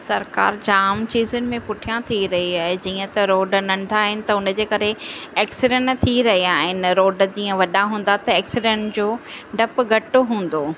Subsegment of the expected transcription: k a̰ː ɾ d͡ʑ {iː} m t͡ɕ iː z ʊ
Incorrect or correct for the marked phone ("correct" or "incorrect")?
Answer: incorrect